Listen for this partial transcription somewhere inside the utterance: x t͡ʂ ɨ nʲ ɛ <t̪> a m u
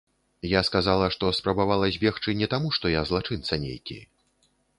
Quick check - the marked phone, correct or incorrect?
correct